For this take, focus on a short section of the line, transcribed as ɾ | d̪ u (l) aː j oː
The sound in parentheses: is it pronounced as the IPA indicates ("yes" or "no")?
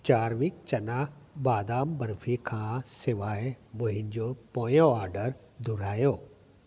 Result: no